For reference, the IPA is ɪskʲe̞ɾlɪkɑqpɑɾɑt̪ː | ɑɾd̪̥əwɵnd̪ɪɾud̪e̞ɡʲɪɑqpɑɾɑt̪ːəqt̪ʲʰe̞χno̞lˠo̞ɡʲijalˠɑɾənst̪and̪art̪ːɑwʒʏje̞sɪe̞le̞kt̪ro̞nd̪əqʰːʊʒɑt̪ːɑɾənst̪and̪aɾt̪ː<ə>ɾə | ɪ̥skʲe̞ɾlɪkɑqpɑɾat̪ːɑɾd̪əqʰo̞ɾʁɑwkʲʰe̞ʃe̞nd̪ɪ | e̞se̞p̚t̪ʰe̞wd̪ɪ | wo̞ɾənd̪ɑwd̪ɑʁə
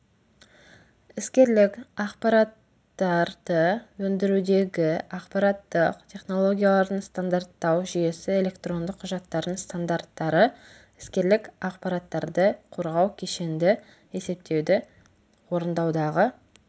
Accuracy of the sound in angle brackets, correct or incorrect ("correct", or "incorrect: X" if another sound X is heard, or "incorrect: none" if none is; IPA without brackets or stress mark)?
incorrect: ɑ